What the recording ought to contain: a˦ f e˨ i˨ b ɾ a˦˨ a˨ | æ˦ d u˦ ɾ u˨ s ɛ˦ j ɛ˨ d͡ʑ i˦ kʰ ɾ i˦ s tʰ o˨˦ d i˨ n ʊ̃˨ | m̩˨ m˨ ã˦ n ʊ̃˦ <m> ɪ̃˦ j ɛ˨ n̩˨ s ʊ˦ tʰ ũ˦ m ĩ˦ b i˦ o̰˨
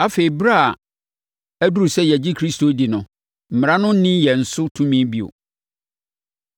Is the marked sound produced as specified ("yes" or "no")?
no